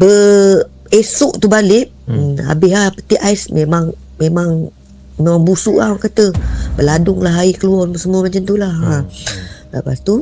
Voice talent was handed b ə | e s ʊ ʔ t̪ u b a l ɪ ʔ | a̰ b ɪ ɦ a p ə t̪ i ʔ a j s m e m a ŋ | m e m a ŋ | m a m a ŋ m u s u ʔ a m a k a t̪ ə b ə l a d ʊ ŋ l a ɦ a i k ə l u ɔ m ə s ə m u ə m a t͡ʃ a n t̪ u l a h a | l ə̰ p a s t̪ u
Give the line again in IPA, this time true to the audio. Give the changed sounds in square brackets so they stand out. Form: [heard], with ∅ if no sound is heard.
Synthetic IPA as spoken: b ə | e s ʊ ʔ t̪ u b a l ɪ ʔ | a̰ b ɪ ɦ a p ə t̪ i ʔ a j s m e m a ŋ | m e m a ŋ | m [e] m a ŋ [b] u s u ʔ a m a k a t̪ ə b ə l a d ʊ ŋ l a ɦ a i k ə l u ɔ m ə s ə m u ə m a t͡ʃ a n t̪ u l a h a | l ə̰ p a s t̪ u